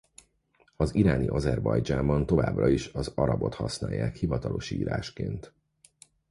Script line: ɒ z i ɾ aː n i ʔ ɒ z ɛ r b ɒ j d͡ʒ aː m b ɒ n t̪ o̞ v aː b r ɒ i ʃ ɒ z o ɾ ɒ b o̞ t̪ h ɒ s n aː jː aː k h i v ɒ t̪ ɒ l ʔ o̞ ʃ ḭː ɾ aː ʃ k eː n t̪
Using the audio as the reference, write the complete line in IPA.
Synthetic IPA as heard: ɒ z i ɾ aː n i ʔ ɒ z ɛ r b ɒ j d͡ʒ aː m b ɒ n t̪ o̞ v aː b r ɒ i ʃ ɒ z ɒ ɾ ɒ b o̞ t̪ h ɒ s n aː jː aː k h i v ɒ t̪ ɒ l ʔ o̞ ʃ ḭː ɾ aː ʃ k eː n t̪